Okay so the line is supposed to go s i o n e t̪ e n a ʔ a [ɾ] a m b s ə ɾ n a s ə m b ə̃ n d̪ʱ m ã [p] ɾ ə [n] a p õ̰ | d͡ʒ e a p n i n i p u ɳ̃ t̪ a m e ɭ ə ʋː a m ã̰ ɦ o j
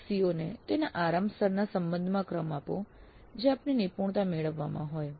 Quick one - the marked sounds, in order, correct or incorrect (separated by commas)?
correct, incorrect, incorrect